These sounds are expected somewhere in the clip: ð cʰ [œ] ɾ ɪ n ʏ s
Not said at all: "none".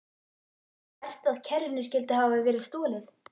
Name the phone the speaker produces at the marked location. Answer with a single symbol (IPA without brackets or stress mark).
ɛ